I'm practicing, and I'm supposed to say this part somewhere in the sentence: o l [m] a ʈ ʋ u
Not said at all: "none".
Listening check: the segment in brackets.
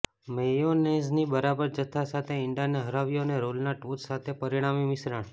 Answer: n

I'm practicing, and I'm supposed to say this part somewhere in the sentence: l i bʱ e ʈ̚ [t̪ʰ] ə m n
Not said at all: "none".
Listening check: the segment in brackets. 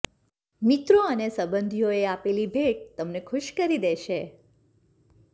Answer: t̪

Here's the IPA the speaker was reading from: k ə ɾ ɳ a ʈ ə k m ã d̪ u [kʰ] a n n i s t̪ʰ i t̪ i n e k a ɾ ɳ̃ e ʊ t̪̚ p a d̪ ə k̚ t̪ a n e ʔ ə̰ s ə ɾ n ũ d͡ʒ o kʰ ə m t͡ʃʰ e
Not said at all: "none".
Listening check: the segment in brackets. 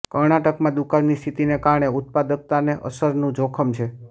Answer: k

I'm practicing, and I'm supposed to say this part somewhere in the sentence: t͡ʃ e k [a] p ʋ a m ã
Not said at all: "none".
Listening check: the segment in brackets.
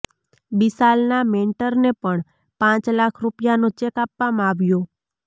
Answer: a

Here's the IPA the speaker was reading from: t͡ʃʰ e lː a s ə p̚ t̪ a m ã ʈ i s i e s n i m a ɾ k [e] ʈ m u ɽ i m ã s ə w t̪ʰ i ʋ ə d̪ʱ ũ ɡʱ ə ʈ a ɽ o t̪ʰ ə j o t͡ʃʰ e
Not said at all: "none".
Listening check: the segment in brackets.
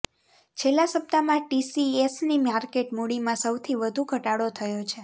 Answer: e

